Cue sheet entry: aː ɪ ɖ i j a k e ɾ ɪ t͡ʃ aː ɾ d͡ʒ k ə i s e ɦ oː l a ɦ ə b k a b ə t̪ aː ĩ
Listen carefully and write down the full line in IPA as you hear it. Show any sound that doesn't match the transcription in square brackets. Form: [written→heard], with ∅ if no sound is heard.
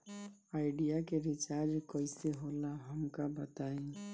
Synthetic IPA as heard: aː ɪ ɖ i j a k e ɾ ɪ t͡ʃ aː ɾ d͡ʒ k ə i s e ɦ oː l a ɦ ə [b→m] k a b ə t̪ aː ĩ